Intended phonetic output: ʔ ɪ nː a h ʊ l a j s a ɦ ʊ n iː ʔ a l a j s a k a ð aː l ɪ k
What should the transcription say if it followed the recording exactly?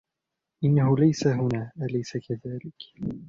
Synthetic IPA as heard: ʔ ɪ nː a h ʊ l a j s a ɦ ʊ n aː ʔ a l a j s a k a ð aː l ɪ k